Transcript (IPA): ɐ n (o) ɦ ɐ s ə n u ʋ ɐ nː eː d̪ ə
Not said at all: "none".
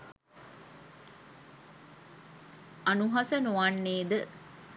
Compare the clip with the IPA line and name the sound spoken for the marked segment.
u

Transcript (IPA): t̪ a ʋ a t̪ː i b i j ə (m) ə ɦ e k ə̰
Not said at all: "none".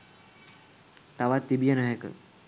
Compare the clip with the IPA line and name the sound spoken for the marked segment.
n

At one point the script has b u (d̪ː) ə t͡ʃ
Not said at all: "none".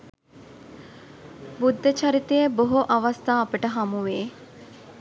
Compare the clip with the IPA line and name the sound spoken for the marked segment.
d̪ː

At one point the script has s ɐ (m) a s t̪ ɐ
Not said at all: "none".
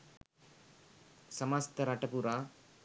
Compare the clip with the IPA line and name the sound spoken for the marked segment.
m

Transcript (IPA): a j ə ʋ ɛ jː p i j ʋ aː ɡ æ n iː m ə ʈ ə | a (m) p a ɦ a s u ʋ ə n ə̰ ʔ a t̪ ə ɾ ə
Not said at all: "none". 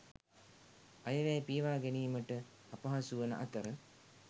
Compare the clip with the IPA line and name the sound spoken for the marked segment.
none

